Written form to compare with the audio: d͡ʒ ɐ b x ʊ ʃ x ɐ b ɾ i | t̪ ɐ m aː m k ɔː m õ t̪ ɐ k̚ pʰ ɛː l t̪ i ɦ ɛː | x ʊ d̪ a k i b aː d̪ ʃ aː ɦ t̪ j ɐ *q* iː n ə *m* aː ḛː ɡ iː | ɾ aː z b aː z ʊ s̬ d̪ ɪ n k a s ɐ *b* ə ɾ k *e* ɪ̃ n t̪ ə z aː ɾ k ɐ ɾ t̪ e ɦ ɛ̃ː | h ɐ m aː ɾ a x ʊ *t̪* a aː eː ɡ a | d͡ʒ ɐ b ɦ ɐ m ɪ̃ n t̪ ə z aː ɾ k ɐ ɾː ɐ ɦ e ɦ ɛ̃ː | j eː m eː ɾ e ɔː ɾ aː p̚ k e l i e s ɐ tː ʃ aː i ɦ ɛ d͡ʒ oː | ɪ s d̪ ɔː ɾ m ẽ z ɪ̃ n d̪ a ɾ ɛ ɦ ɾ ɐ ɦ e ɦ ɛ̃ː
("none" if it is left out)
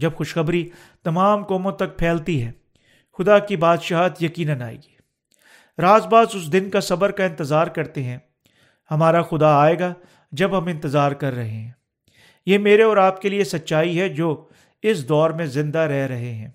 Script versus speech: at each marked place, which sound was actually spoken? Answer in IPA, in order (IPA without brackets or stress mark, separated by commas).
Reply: k, n, b, a, d̪